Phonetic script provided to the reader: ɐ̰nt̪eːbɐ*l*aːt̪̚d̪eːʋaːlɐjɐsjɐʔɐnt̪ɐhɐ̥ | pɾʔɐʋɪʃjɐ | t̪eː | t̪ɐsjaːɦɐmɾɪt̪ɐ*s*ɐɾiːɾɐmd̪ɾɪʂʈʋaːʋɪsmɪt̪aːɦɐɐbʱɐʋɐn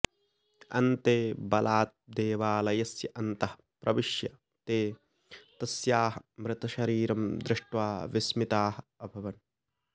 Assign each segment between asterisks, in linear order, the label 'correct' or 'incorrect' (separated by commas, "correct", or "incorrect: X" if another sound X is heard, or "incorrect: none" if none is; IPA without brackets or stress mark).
correct, incorrect: ʃ